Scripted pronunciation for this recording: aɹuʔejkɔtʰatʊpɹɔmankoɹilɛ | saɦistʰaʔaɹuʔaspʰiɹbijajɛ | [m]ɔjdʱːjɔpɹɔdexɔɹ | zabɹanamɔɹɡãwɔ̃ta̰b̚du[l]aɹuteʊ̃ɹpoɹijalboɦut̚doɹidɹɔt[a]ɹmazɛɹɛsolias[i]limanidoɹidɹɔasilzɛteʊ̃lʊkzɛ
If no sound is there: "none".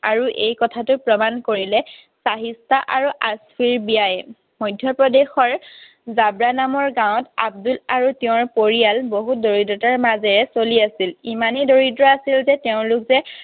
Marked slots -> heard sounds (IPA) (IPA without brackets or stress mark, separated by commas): m, l, a, i